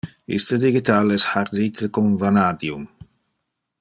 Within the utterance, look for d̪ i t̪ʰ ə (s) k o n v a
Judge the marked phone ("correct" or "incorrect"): incorrect